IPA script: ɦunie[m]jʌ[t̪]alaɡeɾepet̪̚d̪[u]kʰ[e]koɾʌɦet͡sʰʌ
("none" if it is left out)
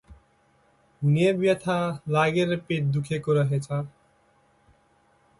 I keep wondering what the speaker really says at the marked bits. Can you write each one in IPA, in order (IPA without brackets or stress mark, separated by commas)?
b, t̪ʰ, u, e